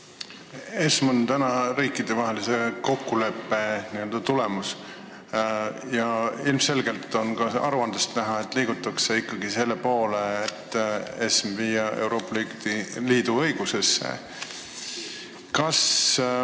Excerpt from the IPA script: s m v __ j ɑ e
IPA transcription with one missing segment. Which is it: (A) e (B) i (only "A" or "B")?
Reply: B